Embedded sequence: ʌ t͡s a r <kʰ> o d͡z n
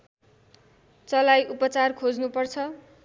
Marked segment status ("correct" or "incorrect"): correct